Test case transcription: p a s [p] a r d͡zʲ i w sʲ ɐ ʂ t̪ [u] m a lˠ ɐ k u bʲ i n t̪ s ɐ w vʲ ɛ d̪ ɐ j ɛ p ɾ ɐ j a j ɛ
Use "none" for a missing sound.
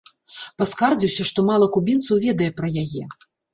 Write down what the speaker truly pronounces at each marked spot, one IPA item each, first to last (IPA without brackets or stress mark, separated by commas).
k, ɔ